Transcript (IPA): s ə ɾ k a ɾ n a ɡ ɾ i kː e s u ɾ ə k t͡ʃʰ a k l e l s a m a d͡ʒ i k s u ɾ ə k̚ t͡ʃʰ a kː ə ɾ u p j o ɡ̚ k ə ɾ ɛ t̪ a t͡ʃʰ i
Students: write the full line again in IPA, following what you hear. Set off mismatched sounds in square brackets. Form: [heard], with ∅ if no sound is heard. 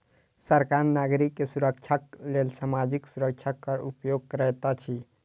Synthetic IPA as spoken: s ə ɾ k a ɾ n a ɡ ɾ i kː e s u ɾ ə k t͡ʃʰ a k l e l s a m a d͡ʒ i k s u ɾ ə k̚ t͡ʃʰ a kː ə ɾ u p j o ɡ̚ k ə ɾ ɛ t̪ a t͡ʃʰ i